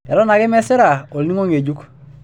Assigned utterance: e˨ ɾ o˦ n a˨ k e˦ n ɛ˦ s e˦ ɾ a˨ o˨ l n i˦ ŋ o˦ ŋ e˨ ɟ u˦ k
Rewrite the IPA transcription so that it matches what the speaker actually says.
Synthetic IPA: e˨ ɾ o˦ n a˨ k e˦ m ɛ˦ s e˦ ɾ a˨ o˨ l n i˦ ŋ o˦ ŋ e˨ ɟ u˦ k